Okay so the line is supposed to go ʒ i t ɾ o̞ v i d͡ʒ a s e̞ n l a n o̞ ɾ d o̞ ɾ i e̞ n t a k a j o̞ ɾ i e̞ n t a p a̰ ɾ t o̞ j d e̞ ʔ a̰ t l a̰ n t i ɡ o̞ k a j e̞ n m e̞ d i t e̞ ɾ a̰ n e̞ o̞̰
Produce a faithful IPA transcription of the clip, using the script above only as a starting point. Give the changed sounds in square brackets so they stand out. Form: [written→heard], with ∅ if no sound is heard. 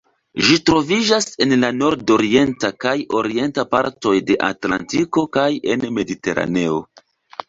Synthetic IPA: ʒ i t ɾ o̞ v i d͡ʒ a s e̞ n l a n o̞ ɾ d o̞ ɾ i e̞ n t a k a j o̞ ɾ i e̞ n t a p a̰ ɾ t o̞ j d e̞ ʔ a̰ t l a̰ n t i [ɡ→k] o̞ k a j e̞ n m e̞ d i t e̞ ɾ a̰ n e̞ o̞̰